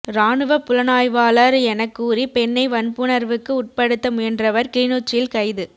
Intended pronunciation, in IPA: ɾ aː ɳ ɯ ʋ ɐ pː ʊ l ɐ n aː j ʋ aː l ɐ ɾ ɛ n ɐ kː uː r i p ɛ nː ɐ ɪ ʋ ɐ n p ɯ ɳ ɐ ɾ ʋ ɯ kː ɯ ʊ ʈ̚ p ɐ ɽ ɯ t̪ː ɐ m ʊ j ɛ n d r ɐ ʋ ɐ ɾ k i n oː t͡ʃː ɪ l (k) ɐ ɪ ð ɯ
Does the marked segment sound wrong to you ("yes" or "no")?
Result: no